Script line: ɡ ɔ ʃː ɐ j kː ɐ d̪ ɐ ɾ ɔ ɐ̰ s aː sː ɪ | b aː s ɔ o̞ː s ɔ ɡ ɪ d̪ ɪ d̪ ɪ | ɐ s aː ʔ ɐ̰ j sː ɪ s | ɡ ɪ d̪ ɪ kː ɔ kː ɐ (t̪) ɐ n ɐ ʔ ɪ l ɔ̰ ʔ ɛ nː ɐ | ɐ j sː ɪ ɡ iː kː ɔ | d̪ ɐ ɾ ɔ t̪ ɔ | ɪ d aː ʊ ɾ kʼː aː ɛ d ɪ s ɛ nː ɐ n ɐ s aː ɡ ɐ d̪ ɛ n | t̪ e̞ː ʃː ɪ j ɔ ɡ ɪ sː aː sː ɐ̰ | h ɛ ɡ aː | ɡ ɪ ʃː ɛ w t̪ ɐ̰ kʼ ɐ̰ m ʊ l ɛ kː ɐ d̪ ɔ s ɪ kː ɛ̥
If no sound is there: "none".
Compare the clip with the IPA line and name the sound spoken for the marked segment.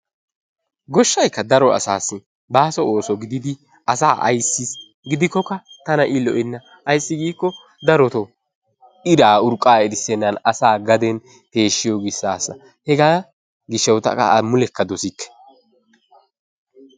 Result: t̪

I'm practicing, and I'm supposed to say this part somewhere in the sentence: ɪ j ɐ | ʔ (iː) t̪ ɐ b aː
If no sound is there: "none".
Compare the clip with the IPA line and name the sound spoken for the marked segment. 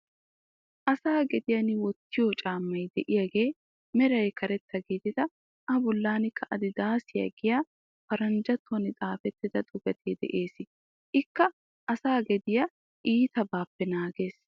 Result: iː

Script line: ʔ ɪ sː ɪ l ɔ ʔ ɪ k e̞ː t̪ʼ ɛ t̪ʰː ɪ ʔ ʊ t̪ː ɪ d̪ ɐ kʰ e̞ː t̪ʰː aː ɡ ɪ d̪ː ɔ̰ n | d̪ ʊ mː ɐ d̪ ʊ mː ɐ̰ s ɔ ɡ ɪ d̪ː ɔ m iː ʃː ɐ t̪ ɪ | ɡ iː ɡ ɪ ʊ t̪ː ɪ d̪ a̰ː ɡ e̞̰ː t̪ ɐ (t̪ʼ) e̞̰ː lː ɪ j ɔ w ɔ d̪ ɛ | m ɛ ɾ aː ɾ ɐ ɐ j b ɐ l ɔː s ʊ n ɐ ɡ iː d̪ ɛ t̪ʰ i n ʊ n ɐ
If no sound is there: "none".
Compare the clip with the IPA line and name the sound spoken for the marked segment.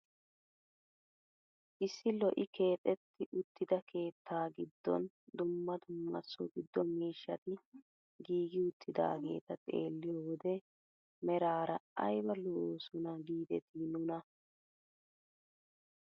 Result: t̪ʼ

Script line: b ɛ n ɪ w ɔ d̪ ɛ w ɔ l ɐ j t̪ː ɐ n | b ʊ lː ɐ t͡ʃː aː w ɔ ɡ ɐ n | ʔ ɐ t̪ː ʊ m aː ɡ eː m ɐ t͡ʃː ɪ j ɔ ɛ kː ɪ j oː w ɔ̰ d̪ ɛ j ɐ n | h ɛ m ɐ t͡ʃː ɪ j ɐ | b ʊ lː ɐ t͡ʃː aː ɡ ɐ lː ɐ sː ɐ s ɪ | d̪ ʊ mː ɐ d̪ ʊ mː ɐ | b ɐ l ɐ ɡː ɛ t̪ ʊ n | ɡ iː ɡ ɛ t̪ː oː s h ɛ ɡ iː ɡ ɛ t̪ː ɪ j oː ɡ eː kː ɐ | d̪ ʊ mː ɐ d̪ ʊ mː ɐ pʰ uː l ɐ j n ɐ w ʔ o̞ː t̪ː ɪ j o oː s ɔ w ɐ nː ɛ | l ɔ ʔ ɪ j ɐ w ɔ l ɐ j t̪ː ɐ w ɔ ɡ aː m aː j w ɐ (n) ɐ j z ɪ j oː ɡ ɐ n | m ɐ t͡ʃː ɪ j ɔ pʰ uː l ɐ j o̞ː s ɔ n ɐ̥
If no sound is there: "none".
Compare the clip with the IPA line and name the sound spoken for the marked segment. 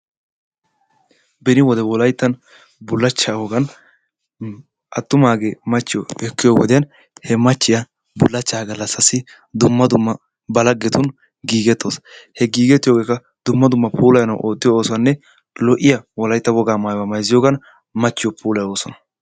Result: m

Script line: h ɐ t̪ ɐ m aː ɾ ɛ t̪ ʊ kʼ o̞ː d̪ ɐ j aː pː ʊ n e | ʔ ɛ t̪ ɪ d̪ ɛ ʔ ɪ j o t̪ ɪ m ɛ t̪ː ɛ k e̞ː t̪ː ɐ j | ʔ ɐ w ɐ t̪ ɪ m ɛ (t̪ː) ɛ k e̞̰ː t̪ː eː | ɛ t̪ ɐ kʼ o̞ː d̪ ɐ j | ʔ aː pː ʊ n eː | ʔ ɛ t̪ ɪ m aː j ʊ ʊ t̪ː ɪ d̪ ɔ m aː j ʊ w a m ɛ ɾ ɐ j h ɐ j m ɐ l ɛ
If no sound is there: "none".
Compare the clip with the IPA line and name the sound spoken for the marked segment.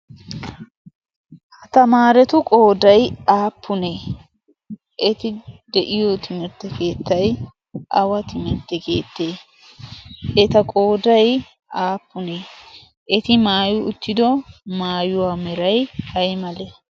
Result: t̪ː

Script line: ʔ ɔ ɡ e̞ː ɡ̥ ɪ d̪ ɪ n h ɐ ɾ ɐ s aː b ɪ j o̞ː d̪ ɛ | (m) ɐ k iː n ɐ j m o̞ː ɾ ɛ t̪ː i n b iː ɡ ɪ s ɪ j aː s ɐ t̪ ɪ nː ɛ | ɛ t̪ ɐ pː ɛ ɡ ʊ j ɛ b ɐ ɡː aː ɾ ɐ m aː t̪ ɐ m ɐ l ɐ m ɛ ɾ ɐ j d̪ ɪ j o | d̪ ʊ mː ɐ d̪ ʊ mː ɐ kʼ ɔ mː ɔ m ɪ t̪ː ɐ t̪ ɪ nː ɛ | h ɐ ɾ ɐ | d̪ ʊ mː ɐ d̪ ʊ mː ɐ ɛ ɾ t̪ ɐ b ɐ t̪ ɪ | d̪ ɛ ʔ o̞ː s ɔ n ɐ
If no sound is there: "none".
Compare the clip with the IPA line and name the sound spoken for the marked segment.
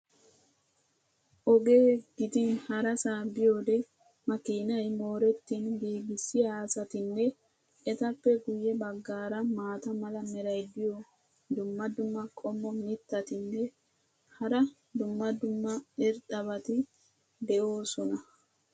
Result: m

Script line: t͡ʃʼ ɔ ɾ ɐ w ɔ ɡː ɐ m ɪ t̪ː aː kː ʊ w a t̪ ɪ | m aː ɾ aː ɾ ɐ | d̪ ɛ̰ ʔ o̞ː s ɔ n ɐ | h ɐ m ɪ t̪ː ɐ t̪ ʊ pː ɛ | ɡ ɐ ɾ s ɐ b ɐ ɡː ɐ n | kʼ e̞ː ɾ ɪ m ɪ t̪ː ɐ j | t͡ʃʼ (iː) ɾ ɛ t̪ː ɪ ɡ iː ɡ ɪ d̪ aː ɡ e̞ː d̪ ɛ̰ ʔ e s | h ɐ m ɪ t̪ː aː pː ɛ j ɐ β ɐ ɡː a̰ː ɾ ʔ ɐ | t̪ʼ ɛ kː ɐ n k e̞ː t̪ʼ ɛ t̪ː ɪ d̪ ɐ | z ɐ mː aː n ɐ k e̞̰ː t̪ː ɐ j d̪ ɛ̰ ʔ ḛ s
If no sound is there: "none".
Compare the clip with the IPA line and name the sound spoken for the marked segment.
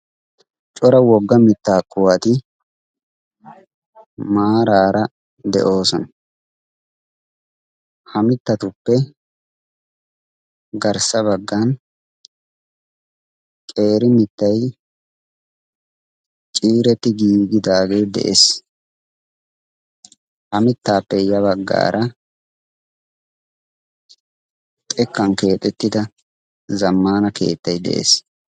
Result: iː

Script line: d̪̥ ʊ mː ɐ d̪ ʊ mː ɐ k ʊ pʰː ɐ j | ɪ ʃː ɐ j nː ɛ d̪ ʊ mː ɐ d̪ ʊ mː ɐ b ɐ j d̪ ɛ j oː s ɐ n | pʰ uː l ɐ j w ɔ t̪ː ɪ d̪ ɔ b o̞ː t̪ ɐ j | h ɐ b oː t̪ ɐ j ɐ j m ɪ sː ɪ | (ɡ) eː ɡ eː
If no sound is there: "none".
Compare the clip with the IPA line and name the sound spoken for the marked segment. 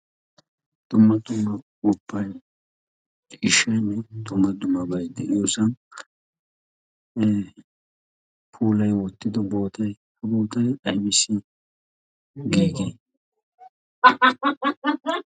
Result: ɡ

